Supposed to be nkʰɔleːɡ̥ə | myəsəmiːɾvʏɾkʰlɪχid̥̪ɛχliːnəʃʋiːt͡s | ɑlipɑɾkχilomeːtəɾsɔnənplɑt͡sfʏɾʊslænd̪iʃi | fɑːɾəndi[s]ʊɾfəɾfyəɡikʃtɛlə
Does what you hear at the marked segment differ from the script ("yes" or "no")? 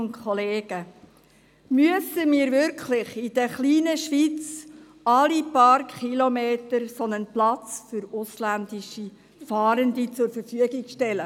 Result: yes